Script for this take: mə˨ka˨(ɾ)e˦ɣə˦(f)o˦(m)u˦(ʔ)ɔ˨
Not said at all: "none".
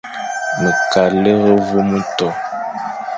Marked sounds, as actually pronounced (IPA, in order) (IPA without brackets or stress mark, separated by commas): l, v, m, t